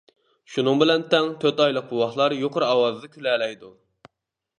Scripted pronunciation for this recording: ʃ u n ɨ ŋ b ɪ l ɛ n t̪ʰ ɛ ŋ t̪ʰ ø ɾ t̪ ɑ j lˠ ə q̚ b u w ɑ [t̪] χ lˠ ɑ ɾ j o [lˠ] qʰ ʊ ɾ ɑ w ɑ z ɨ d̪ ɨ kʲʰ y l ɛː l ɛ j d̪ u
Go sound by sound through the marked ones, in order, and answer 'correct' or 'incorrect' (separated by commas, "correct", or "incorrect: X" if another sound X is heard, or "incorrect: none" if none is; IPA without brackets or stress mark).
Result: incorrect: none, incorrect: none